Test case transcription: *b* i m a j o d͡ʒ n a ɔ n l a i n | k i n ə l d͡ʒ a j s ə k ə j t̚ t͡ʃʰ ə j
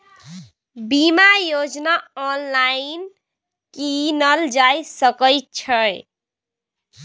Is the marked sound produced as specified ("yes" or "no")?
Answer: yes